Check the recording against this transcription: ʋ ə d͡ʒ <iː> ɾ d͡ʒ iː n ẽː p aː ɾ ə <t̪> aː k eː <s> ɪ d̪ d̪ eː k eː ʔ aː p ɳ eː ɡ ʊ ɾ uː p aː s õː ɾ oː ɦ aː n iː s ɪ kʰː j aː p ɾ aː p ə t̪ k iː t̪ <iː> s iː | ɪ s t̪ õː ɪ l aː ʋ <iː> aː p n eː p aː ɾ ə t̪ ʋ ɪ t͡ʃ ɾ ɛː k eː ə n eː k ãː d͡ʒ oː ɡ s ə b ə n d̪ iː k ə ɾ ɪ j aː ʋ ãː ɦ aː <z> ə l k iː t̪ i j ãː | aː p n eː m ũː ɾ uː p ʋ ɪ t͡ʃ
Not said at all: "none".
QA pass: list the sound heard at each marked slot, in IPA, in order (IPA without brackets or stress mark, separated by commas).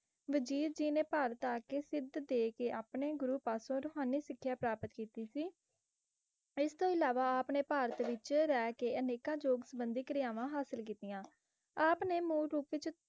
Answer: iː, t̪, s, iː, aː, s